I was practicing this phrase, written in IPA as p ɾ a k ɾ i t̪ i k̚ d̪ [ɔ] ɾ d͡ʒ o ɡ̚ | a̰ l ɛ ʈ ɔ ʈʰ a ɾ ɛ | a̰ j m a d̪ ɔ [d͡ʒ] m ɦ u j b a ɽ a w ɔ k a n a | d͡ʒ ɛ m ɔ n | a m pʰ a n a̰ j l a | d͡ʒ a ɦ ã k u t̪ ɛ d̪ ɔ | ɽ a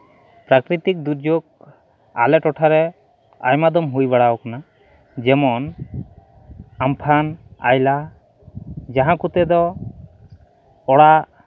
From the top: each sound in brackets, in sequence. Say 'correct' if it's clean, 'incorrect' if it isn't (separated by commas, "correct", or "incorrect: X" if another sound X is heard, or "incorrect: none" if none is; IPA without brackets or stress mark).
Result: incorrect: u, incorrect: none